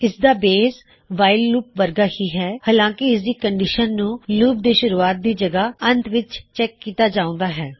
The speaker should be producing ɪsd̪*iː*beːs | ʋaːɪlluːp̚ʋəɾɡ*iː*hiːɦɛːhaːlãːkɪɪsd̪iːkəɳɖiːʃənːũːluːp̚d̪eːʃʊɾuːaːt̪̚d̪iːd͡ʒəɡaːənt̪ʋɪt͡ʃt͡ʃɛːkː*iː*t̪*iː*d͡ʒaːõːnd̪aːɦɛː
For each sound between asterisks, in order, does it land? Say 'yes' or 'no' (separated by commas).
no, no, yes, no